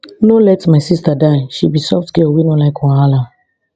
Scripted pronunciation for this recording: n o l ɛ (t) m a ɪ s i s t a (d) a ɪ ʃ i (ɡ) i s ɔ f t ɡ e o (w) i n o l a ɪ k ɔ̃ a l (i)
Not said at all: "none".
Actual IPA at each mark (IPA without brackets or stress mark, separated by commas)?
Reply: t, d, b, w, a